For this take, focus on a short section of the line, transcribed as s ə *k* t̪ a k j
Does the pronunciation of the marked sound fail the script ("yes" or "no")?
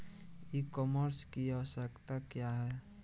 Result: no